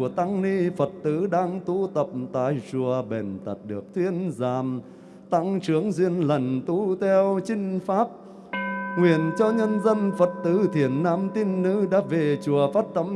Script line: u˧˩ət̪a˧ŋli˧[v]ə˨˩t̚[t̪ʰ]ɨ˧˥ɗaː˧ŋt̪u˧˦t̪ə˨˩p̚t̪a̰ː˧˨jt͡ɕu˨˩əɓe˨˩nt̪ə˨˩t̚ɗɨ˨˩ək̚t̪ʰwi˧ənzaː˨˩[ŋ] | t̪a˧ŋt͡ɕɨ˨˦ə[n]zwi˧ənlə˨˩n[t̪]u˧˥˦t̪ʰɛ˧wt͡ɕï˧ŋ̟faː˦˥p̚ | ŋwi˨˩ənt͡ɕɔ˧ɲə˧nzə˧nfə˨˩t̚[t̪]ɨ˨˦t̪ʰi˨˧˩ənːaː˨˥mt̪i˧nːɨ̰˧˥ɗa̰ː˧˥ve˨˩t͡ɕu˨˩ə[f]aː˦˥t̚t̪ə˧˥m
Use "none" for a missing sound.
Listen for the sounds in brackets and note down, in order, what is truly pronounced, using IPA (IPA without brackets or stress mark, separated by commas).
f, t̪, m, ŋ, t̪, t̪, f